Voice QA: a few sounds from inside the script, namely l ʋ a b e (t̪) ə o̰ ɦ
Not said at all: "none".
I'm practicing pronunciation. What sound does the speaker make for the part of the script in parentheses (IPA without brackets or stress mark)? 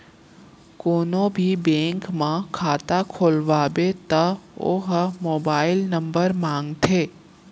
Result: t̪